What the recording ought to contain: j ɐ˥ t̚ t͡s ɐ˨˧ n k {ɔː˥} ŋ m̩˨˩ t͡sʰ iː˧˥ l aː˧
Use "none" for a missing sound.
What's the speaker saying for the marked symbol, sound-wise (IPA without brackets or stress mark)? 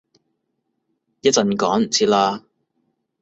ɔː˨˥